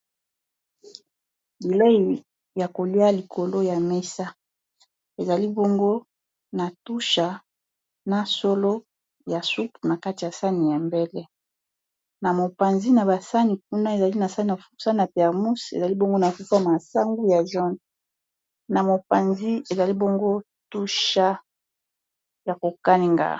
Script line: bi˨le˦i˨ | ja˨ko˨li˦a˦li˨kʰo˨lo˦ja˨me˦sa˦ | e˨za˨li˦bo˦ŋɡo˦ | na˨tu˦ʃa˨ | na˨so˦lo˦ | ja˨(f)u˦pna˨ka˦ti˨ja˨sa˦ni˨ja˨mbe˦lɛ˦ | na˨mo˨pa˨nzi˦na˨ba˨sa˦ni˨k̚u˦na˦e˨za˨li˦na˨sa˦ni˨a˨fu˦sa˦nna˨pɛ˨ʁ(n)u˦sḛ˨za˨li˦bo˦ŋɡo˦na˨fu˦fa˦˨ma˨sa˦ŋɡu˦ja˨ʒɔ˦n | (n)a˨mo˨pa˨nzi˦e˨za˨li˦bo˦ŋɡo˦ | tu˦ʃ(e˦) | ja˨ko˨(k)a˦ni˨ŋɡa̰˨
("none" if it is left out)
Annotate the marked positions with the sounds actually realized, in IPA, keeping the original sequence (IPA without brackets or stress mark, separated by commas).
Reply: s, m, n, a˦, k